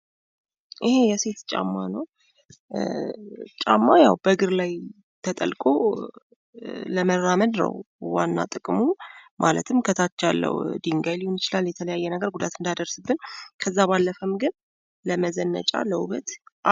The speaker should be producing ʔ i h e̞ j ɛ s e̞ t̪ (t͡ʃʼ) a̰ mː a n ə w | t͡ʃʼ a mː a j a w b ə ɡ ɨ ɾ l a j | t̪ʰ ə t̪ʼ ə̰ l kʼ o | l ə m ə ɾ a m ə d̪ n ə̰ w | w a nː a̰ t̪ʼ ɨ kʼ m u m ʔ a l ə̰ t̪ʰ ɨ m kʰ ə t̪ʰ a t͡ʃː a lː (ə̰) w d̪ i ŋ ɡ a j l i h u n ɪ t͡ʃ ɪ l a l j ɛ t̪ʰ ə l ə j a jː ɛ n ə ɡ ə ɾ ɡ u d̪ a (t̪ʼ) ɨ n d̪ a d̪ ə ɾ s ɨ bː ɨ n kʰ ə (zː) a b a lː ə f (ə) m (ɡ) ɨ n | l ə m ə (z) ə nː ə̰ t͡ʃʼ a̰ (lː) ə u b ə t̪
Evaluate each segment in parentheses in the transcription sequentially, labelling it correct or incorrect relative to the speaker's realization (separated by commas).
correct, correct, incorrect, correct, correct, correct, correct, incorrect